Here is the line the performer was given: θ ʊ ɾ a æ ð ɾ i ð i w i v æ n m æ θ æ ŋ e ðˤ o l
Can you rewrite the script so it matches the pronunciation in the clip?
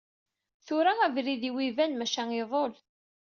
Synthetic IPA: θ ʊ ɾ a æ v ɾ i ð i w i v æ n m æ ʃ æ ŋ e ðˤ o l